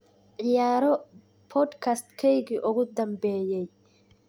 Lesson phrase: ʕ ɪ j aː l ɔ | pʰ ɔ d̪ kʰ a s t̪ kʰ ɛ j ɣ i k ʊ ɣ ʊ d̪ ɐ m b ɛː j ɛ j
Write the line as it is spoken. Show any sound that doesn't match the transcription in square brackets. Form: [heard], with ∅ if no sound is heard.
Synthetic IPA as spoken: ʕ ɪ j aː [ɾ] ɔ | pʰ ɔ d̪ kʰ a s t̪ kʰ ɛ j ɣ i [ʔ] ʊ ɣ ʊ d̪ ɐ m b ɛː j ɛ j

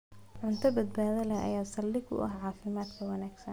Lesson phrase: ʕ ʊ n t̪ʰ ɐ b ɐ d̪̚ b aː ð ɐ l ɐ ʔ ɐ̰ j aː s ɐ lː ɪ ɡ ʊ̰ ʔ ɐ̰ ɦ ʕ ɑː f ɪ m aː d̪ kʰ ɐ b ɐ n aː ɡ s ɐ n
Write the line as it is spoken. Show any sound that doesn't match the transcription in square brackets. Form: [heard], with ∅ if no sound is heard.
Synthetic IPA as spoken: ʕ ʊ n t̪ʰ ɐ b ɐ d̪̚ b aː ð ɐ l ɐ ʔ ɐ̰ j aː s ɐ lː ɪ ɡ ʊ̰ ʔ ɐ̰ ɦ ʕ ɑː f ɪ m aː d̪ kʰ ɐ [w] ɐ n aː ɡ s ɐ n

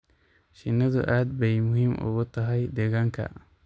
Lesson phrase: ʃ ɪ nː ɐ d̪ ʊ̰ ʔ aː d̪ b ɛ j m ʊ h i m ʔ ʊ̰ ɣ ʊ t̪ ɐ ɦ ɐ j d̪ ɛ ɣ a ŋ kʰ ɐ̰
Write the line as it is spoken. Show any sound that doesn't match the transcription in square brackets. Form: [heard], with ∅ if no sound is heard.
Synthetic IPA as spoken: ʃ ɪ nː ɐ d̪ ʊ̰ ʔ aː d̪ b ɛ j m ʊ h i m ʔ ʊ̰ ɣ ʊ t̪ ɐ ɦ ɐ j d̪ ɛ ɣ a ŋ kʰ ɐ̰

